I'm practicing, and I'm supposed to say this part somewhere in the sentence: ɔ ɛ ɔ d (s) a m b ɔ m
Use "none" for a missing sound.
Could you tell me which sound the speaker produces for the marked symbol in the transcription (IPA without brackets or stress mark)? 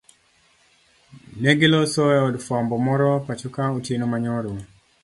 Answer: f